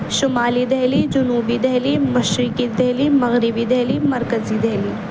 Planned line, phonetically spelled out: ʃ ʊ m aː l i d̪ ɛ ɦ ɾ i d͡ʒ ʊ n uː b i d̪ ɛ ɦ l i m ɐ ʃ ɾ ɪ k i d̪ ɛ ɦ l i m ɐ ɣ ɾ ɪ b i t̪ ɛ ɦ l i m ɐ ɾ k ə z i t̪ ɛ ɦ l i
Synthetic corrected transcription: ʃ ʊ m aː l i d̪ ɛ ɦ l i d͡ʒ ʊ n uː b i d̪ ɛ ɦ l i m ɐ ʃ ɾ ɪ k i d̪ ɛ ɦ l i m ɐ ɣ ɾ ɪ b i d̪ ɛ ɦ l i m ɐ ɾ k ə z i d̪ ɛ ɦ l i